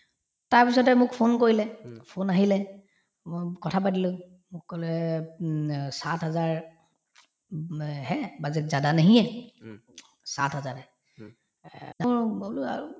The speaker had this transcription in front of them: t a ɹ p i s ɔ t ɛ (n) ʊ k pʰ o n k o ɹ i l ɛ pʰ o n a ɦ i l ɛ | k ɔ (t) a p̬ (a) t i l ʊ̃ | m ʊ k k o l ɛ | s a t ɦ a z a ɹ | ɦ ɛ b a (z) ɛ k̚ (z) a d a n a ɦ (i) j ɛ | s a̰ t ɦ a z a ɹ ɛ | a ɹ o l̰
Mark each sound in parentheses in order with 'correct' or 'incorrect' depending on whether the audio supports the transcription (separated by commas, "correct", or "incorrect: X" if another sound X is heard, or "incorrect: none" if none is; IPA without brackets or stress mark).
incorrect: m, incorrect: tʰ, correct, correct, correct, correct